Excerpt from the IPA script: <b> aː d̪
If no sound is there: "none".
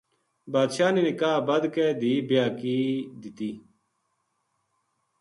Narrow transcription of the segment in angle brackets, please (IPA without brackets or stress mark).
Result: b